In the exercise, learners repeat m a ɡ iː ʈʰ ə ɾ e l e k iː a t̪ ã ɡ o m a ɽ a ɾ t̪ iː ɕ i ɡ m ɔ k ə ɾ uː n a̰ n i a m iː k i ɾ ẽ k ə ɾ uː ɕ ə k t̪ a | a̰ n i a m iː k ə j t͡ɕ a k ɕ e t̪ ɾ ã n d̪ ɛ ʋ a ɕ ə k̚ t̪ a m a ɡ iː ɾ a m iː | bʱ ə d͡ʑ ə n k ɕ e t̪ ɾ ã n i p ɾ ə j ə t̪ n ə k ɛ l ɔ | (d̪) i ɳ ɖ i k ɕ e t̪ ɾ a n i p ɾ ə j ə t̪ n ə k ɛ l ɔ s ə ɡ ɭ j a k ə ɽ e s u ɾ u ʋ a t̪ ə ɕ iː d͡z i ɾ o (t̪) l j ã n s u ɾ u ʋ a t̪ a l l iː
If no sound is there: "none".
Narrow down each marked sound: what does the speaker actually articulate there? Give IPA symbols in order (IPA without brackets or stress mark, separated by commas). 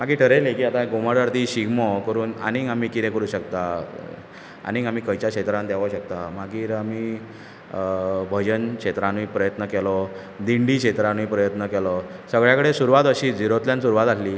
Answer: d̪, t̪